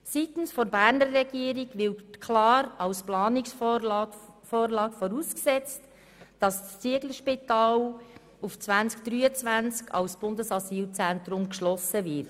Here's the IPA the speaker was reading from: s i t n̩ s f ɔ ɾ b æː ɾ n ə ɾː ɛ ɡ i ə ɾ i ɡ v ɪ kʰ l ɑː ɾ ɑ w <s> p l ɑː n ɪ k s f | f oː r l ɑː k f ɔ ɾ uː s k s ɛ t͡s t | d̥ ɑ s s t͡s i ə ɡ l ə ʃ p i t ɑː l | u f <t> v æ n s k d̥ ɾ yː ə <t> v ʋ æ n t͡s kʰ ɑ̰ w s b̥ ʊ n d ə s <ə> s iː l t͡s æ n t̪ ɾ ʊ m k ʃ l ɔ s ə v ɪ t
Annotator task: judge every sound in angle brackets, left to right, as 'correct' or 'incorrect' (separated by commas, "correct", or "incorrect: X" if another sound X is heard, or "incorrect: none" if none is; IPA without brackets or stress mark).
correct, incorrect: t͡s, incorrect: t͡s, incorrect: ɑ